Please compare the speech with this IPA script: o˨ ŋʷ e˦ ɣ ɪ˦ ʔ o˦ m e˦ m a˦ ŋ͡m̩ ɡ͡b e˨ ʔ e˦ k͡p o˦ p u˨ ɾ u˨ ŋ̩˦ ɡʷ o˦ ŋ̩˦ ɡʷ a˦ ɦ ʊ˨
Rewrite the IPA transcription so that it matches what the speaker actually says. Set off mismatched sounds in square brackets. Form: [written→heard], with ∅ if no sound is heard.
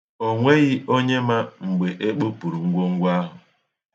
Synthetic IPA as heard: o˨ ŋʷ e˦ ɣ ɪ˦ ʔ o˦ [m→ɲ] e˦ m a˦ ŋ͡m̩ ɡ͡b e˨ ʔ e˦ k͡p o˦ p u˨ ɾ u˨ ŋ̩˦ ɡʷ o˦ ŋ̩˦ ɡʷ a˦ ɦ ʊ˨